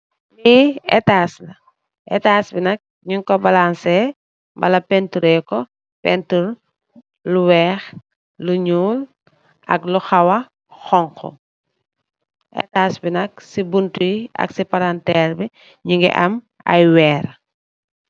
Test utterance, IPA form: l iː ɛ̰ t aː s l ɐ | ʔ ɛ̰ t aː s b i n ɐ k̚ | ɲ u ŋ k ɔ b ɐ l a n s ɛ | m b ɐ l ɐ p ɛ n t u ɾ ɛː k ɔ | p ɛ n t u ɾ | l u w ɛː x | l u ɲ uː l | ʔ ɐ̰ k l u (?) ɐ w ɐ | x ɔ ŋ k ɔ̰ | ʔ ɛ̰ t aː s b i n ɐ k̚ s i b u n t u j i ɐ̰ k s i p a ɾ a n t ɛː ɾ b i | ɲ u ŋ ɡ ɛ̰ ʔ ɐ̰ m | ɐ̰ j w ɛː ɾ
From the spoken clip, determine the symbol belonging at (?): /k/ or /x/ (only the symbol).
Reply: x